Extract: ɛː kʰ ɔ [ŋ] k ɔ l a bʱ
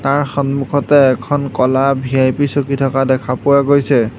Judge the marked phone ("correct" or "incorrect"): incorrect